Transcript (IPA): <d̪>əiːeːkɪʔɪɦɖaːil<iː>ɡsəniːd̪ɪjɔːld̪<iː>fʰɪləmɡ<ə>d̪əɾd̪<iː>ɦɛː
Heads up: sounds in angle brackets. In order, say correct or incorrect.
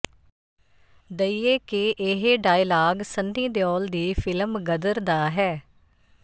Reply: correct, incorrect, correct, correct, incorrect

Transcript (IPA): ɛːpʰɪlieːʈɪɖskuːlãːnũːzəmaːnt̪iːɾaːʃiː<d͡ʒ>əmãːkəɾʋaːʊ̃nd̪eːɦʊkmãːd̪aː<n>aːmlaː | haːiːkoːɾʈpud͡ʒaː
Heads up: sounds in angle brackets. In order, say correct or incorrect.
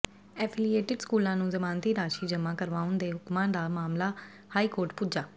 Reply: correct, incorrect

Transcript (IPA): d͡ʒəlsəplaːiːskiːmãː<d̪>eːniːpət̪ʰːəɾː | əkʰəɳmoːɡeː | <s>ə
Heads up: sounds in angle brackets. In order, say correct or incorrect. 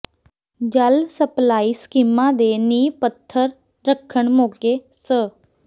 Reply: correct, correct

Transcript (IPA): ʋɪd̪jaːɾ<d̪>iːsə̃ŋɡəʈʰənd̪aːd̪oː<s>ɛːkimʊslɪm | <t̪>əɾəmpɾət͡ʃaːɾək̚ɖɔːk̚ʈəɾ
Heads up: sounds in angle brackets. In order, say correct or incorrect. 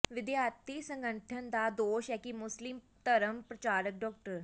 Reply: incorrect, incorrect, correct

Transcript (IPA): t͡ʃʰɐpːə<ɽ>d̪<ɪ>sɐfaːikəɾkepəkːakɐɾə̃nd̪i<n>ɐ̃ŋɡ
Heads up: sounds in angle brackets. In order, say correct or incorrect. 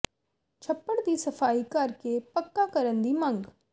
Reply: correct, incorrect, incorrect

